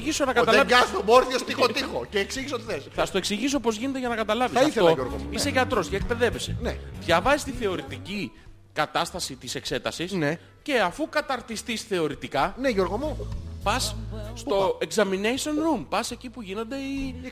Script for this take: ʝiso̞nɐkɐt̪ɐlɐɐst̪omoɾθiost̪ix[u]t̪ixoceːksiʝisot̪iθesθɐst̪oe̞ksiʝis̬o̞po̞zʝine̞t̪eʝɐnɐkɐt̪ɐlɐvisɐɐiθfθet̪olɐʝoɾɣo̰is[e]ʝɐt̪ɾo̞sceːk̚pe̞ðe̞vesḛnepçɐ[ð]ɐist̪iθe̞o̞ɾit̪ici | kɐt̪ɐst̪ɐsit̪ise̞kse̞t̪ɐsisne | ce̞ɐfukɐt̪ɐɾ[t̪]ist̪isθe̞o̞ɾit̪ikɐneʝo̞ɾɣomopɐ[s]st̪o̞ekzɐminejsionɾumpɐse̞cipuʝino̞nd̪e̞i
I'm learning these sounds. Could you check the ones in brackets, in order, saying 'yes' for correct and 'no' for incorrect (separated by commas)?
no, yes, no, yes, yes